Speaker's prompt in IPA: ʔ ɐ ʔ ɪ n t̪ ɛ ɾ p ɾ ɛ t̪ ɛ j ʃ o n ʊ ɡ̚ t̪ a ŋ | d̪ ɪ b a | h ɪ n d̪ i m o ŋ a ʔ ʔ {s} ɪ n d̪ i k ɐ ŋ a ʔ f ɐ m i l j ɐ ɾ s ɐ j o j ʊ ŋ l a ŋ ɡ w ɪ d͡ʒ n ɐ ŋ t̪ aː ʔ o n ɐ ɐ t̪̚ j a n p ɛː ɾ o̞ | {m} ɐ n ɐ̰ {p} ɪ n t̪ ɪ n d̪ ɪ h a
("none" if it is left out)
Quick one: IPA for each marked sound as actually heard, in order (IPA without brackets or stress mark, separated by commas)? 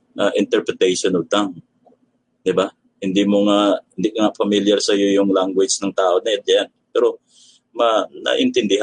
h, m, ʔ